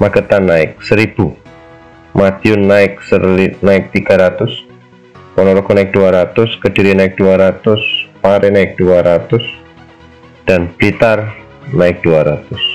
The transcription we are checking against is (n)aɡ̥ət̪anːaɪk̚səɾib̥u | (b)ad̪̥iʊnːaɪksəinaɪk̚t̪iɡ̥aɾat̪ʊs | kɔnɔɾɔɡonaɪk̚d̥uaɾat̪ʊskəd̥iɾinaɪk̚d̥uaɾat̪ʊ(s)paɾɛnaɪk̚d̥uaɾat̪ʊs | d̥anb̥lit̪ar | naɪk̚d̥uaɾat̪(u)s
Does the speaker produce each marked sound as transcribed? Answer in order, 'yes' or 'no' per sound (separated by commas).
no, no, yes, no